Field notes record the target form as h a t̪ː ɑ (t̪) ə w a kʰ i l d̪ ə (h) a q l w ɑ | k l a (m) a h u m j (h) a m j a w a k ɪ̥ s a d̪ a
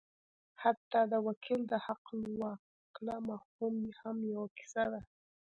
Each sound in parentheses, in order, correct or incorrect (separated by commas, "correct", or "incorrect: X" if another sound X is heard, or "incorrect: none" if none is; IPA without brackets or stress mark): incorrect: d̪, correct, correct, correct